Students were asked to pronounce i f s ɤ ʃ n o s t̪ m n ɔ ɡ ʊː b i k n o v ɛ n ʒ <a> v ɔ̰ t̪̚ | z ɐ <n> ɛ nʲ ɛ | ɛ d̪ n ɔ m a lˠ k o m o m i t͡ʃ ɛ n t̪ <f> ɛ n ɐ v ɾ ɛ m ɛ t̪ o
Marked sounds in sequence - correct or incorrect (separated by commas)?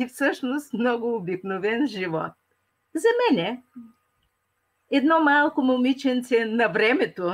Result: incorrect, incorrect, incorrect